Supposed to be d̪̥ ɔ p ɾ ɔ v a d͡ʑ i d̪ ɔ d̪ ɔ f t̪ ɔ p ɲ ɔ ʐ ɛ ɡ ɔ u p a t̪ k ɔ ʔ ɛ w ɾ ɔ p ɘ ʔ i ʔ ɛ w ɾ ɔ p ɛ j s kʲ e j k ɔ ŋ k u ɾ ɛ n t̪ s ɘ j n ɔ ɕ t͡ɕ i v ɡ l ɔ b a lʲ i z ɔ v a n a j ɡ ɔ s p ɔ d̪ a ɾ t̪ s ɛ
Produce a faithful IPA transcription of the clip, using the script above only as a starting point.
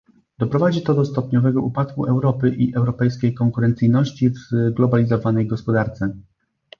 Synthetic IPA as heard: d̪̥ ɔ p ɾ ɔ v a d͡ʑ i t̪ ɔ d̪ ɔ s t̪ ɔ p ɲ ɔ v ɛ ɡ ɔ u p a t̪ k u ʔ ɛ w ɾ ɔ p ɘ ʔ i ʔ ɛ w ɾ ɔ p ɛ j s kʲ e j k ɔ ŋ k u ɾ ɛ n t̪ s ɘ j n ɔ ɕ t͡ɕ i v ɡ l ɔ b a lʲ i z ɔ v a n ɛ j ɡ ɔ s p ɔ d̪ a ɾ t̪ s ɛ